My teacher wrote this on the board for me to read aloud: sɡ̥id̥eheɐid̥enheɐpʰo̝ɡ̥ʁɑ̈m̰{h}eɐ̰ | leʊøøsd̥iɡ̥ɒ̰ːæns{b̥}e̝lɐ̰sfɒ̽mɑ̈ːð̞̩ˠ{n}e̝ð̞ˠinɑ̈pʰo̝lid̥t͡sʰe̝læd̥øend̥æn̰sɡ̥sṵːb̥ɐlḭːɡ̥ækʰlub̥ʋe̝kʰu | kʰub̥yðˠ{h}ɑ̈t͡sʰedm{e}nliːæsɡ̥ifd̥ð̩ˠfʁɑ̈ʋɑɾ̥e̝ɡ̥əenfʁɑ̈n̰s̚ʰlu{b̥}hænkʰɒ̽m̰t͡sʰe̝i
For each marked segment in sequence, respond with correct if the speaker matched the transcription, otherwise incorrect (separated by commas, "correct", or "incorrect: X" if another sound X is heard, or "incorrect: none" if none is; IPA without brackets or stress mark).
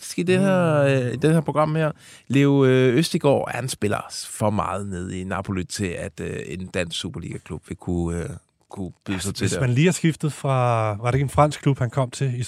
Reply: correct, correct, correct, incorrect: s, incorrect: æ, correct